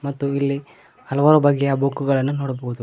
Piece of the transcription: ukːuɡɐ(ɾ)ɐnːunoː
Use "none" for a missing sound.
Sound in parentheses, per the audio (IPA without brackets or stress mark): ɭ